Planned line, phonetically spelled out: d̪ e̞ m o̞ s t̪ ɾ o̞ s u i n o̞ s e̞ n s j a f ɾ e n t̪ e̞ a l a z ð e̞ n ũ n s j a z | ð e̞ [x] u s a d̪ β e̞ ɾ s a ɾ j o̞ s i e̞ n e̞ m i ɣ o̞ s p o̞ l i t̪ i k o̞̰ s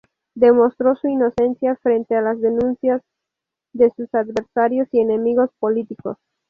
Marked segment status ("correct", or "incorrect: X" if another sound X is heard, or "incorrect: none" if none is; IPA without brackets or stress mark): incorrect: s